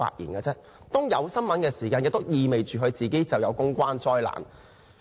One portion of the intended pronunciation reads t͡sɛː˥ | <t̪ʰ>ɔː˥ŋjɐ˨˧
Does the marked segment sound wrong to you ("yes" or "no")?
yes